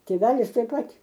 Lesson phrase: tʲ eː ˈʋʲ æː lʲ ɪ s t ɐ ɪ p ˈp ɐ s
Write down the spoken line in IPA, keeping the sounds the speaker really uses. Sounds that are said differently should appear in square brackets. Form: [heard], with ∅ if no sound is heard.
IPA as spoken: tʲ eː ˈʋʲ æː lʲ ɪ s t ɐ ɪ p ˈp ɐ [t]